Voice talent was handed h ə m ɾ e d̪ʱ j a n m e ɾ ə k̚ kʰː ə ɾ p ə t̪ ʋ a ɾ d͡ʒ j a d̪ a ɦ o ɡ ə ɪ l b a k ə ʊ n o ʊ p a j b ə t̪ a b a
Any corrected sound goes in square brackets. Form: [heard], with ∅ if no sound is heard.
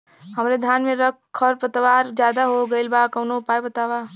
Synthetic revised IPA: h ə m ɾ e d̪ʱ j a n m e ɾ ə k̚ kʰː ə ɾ p ə t̪ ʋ a ɾ d͡ʒ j a d̪ a ɦ o ɡ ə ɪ l b a k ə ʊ n o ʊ p a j b ə t̪ a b a